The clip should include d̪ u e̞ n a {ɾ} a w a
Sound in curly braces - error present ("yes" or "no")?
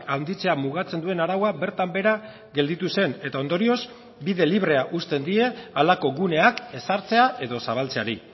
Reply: no